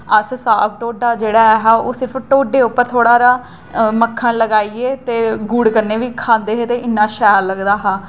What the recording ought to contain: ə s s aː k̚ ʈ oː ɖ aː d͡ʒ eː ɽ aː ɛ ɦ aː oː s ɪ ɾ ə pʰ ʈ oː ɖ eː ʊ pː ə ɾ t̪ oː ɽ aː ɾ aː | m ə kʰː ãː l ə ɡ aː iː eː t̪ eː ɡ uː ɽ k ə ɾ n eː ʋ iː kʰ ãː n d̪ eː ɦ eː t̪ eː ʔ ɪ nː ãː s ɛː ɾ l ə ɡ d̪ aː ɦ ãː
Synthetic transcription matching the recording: ə s s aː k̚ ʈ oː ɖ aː d͡ʒ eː ɽ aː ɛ ɦ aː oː s ɪ ɾ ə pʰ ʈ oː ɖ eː ʊ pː ə ɾ t̪ʰ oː ɽ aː ɾ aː | m ə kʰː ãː l ə ɡ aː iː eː t̪ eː ɡ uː ɽ k ə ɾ n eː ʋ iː kʰ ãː n d̪ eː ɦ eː t̪ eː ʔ ɪ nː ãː ʃ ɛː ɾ l ə ɡ d̪ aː ɦ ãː